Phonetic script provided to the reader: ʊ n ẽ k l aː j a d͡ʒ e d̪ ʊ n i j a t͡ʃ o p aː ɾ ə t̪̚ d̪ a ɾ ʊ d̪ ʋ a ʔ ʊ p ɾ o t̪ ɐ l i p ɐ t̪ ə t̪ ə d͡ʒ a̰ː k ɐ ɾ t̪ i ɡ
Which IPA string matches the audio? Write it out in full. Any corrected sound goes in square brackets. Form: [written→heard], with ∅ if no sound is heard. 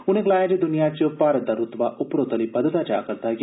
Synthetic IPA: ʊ n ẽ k l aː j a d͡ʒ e d̪ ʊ n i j a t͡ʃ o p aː ɾ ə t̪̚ d̪ a ɾ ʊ [d̪→t̪] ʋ a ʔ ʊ p ɾ o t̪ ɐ l i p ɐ [t̪→d̪] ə t̪ [ə→a] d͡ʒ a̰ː k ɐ ɾ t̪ [i→a] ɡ